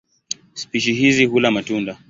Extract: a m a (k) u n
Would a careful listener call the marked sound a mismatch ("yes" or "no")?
yes